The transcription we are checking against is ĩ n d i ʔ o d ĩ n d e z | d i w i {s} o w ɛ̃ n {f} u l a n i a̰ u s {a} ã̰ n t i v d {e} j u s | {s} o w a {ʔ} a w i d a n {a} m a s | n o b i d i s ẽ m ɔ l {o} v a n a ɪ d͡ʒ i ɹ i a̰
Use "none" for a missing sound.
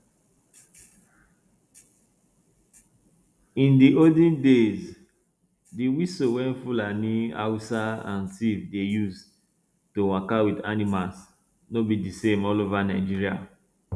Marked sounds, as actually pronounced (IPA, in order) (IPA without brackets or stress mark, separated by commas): s, f, a, e, t, k, i, o